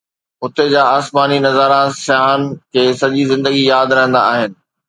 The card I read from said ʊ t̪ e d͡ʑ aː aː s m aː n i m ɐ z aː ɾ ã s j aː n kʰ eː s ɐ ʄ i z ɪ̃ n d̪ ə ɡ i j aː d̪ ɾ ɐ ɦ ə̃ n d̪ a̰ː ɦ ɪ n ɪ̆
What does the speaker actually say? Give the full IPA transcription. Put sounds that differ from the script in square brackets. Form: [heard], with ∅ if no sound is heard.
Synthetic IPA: ʊ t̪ e d͡ʑ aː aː s m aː n i [n] ɐ z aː ɾ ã s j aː n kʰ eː s ɐ ʄ i z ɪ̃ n d̪ ə ɡ i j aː d̪ ɾ ɐ ɦ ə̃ n d̪ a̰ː ɦ ɪ n ɪ̆